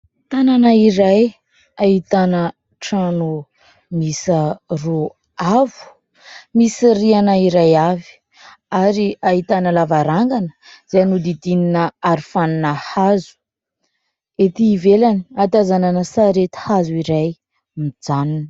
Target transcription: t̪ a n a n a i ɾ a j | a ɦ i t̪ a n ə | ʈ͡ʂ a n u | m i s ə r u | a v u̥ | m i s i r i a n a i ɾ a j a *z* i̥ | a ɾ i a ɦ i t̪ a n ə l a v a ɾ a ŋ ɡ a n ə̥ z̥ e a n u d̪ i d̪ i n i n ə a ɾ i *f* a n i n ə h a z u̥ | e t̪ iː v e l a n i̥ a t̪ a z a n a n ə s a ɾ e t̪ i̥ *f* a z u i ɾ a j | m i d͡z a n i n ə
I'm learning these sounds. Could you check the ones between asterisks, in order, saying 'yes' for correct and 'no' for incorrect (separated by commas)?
no, yes, no